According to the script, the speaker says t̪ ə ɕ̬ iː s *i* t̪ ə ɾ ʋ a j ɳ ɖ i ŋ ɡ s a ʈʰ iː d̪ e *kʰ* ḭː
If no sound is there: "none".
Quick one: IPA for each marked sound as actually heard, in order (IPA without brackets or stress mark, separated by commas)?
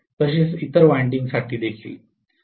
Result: i, kʰ